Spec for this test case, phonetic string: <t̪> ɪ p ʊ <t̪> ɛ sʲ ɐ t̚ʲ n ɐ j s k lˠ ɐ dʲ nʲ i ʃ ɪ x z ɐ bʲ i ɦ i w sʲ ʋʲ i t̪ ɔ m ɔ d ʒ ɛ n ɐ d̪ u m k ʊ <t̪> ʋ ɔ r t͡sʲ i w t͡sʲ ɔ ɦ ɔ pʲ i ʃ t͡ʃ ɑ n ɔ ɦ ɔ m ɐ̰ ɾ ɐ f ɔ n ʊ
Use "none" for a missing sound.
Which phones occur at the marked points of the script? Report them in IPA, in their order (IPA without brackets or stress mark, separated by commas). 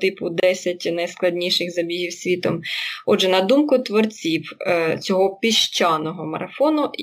t̪, d̪, t̪